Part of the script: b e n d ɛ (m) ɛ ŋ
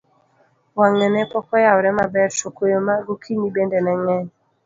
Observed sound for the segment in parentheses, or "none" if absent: n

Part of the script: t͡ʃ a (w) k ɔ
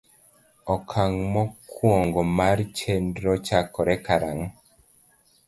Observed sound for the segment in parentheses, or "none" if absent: none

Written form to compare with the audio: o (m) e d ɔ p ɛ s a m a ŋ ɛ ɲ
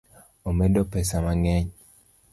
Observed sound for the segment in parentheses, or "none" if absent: m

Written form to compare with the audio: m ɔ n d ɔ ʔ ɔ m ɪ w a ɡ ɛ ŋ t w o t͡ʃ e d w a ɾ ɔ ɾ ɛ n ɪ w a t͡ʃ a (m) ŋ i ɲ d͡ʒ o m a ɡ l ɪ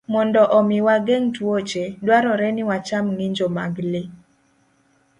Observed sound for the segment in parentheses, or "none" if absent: m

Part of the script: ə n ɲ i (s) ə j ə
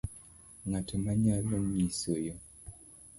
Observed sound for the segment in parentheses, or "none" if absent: s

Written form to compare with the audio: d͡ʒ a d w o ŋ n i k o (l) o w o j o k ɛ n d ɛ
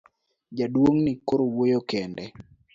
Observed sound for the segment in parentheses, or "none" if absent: ɾ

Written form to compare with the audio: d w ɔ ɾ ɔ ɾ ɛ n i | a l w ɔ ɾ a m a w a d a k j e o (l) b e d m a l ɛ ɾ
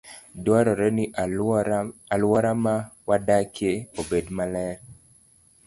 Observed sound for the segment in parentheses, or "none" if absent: none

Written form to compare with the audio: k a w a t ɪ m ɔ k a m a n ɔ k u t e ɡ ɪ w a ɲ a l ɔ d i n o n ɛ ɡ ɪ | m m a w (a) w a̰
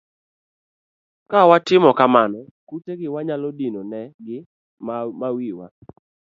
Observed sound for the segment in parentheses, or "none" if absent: i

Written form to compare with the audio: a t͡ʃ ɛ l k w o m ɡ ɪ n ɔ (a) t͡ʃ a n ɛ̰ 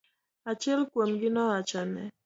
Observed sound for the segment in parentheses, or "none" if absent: a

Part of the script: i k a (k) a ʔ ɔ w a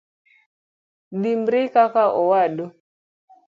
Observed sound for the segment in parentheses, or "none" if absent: k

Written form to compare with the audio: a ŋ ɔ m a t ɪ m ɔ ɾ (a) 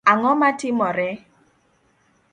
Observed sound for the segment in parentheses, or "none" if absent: ɛ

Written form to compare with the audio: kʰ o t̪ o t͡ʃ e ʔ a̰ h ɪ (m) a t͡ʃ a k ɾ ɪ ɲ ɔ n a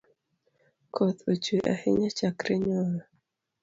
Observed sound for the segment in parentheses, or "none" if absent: ɲ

